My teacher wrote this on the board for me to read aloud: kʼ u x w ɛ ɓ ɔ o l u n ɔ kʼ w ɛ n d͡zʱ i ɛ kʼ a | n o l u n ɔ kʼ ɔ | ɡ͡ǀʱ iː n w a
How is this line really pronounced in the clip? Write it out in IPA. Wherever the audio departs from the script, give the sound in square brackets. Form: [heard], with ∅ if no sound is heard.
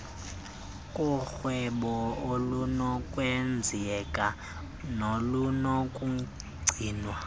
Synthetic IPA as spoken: kʼ u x w ɛ ɓ ɔ o l u n ɔ kʼ w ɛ n d͡zʱ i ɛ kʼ a | n o l u n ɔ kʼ [u] | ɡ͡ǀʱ iː n w a